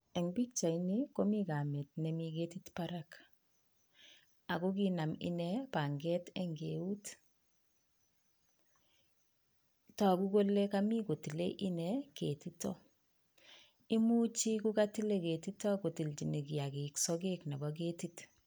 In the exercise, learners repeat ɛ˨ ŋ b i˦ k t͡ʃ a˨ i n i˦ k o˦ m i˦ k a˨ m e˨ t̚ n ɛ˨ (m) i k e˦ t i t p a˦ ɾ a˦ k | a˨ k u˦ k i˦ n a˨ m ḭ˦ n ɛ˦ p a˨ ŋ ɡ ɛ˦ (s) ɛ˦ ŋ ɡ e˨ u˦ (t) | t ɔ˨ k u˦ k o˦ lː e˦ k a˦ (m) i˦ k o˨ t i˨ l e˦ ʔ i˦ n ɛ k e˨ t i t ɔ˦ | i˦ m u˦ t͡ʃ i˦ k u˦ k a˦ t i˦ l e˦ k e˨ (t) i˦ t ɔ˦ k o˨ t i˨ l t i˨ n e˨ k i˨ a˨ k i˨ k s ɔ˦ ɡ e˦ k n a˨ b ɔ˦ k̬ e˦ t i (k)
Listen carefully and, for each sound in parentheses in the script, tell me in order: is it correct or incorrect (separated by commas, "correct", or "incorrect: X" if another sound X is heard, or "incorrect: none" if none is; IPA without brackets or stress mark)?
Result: correct, incorrect: t, correct, correct, correct, incorrect: t